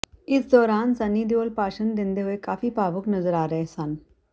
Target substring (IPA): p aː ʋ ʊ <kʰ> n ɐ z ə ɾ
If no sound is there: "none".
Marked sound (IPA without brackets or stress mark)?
k